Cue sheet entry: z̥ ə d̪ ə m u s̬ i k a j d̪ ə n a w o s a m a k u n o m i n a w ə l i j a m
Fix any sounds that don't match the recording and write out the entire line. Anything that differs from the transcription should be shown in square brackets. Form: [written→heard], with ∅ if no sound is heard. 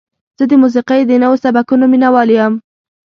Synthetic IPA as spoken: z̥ ə d̪ ə m u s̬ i [k→q] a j d̪ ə n a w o s a [m→b] a k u n o m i n a w [ə→ɑ] l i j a m